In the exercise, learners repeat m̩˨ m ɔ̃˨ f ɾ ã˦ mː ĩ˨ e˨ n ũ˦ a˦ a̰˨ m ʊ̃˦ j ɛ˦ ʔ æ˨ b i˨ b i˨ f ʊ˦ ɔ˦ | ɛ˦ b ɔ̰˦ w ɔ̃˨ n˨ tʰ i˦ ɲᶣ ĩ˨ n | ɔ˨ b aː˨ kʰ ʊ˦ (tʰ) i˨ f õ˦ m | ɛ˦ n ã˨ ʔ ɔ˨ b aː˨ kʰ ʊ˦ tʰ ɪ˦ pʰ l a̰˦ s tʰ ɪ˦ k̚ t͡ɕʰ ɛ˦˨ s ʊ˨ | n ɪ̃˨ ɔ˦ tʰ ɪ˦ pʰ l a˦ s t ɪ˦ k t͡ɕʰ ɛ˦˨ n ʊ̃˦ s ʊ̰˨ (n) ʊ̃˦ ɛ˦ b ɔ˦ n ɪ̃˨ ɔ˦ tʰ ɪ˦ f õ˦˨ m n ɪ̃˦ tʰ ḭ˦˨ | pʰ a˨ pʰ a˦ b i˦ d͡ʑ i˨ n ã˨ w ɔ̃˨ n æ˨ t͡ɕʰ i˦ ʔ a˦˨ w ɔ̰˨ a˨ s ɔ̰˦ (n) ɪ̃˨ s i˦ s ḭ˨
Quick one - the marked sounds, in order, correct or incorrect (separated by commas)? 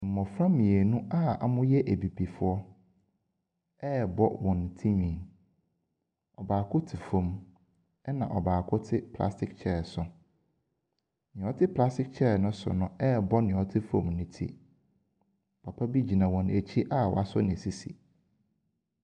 correct, correct, correct